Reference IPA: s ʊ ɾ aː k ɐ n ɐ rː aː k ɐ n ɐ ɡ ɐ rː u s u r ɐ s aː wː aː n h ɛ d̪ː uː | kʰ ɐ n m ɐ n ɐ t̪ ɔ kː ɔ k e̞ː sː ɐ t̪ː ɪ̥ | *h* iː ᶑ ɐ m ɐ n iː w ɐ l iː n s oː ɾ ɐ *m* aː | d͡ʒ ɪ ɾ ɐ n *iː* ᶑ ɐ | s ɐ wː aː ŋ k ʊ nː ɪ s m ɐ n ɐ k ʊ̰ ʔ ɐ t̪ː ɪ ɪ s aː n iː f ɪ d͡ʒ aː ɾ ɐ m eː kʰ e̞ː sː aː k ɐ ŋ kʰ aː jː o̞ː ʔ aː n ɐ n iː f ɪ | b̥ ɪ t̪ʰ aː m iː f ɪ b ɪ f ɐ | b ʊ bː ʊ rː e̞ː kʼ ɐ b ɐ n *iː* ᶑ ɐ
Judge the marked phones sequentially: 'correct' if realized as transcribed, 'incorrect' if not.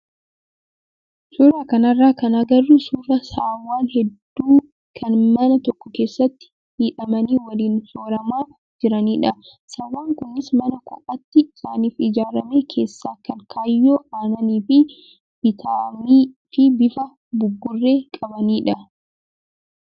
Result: correct, correct, correct, correct

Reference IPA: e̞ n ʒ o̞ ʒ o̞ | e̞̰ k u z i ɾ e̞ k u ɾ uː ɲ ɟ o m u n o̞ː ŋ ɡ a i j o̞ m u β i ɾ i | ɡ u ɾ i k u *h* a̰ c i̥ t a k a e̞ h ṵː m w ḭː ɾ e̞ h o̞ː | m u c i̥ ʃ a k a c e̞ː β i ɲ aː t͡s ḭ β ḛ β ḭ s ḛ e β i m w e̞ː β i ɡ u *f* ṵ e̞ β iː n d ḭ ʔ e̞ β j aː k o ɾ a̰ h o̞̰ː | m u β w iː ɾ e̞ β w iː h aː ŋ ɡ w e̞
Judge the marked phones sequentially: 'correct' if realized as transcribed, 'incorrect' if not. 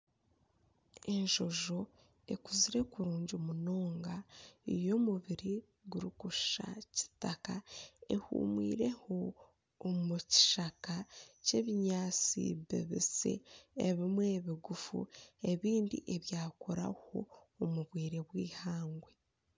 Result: incorrect, correct

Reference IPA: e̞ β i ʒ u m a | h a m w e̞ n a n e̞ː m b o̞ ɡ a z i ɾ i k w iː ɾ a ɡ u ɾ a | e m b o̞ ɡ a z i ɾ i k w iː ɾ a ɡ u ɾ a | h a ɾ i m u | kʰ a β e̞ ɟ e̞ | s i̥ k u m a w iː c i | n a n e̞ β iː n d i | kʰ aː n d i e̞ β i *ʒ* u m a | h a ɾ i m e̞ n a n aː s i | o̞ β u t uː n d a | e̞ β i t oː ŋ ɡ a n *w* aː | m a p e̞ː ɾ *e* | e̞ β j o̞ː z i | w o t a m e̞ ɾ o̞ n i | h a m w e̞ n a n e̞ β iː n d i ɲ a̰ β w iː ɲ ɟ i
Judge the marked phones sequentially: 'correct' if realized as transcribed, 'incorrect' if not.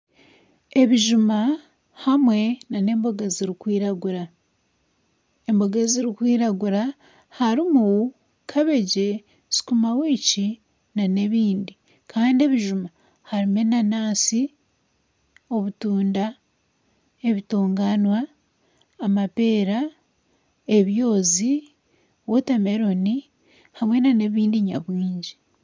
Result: correct, correct, incorrect

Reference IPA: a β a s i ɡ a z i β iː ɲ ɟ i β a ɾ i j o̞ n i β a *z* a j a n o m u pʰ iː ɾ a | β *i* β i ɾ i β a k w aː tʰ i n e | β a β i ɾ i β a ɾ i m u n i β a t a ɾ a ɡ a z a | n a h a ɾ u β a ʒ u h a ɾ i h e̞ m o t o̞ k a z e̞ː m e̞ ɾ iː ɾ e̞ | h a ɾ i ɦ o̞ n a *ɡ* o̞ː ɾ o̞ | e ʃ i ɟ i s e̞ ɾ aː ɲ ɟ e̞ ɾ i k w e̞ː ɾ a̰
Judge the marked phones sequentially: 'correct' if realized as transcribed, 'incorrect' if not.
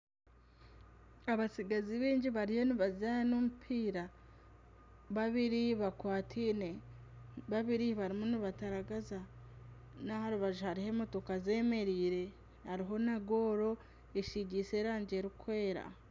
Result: correct, incorrect, correct

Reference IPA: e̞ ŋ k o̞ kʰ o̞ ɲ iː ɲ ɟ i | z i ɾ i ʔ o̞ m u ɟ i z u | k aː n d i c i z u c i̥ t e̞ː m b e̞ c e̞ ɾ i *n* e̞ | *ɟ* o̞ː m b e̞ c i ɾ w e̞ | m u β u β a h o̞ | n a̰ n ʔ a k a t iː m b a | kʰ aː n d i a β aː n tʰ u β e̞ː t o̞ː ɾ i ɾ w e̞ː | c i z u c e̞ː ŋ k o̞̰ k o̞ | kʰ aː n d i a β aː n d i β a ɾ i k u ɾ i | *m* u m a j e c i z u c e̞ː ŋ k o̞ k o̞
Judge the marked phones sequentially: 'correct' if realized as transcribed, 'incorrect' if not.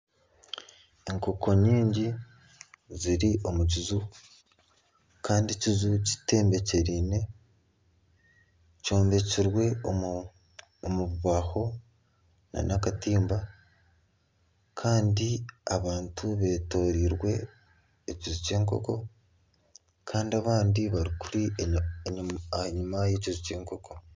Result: correct, incorrect, incorrect

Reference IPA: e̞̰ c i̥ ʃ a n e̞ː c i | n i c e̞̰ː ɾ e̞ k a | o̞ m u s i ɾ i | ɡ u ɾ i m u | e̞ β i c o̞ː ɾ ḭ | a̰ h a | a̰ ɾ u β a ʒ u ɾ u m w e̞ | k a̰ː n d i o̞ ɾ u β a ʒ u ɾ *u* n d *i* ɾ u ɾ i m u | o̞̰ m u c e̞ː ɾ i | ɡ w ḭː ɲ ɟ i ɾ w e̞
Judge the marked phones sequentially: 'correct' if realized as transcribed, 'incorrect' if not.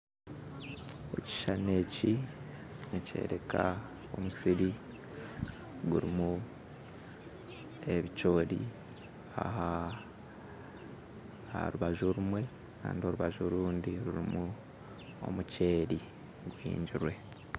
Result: incorrect, correct

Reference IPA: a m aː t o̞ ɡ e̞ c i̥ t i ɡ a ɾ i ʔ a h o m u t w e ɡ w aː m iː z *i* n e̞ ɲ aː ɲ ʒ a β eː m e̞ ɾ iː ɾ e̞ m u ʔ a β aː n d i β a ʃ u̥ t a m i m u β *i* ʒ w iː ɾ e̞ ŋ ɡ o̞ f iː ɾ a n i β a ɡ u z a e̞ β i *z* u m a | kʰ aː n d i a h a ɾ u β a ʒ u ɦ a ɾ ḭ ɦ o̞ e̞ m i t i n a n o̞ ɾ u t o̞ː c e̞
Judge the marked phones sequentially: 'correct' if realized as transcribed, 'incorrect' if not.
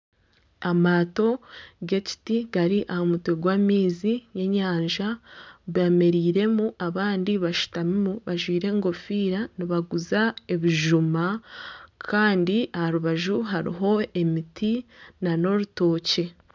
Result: correct, incorrect, incorrect

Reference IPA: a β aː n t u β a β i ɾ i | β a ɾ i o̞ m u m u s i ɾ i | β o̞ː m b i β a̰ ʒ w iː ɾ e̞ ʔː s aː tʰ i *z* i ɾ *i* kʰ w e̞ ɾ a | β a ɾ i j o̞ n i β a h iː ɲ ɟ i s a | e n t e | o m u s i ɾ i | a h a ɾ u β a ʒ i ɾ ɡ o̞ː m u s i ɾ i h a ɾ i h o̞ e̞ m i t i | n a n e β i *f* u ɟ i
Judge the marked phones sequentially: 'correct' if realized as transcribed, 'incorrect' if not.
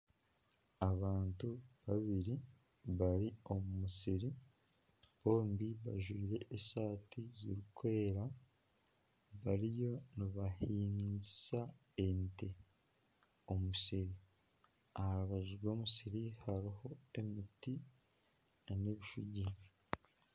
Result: correct, correct, incorrect

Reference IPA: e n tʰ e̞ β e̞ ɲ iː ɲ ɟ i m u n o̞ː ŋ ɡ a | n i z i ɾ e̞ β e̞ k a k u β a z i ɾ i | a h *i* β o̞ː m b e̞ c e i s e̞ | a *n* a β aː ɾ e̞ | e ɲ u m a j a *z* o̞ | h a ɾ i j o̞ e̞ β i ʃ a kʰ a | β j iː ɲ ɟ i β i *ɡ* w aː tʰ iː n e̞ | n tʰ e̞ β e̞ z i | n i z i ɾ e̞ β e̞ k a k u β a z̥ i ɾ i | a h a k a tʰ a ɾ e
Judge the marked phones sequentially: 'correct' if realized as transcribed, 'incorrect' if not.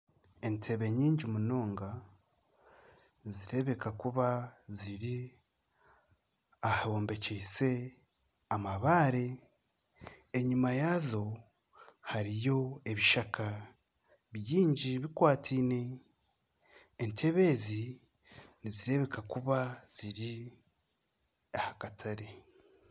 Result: incorrect, incorrect, correct, incorrect

